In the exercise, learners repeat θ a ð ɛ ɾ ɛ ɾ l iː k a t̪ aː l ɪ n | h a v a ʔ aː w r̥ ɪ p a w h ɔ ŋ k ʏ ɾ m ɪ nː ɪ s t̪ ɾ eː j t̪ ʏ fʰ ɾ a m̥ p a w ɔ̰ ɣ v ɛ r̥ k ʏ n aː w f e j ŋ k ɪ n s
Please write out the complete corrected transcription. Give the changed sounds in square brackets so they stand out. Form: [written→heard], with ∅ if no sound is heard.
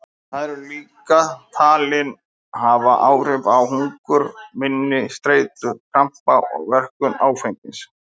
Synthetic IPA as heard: θ a ð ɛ ɾ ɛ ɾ l iː k a [t̪→t̪ʰ] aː l ɪ n | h a v a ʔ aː w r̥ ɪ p a w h [ɔ→u] ŋ k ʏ ɾ m ɪ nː ɪ s t̪ ɾ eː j t̪ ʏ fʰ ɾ a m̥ p a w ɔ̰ ɣ v ɛ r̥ k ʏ n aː w f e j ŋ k ɪ n s